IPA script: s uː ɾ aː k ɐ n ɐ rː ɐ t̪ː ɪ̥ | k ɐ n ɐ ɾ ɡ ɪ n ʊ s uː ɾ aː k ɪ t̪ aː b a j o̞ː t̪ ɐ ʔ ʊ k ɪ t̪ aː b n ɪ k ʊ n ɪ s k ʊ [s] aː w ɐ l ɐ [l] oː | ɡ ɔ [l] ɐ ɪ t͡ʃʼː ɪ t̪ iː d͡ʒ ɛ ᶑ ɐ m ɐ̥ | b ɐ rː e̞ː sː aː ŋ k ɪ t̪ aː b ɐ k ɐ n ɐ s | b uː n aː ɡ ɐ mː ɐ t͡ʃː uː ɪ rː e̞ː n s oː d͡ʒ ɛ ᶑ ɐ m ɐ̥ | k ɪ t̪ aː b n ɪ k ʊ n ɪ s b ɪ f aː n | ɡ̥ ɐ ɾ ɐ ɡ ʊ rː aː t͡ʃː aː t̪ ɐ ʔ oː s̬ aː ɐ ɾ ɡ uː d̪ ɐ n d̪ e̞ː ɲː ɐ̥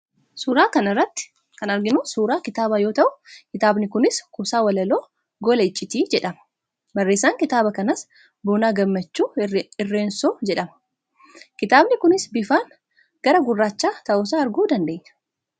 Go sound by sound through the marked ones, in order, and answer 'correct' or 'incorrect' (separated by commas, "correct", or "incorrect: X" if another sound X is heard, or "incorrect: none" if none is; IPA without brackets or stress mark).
correct, correct, correct